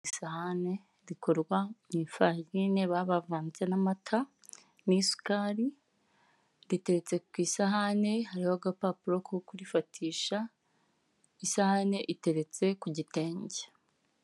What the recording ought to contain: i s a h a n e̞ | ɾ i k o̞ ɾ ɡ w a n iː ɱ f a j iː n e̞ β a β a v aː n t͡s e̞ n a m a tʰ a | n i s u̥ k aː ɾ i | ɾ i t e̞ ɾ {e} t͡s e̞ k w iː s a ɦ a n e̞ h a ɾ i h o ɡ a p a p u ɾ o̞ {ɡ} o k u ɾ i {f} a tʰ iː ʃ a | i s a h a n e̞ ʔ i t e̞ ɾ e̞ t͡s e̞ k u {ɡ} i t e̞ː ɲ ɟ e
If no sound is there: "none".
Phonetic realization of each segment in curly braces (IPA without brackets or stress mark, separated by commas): e, k, f, ɟ